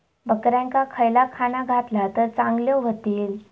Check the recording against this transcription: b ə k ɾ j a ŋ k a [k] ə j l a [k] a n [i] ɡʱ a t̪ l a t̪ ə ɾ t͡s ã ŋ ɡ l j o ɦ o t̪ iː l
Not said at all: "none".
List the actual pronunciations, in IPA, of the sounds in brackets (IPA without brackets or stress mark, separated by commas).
kʰ, kʰ, a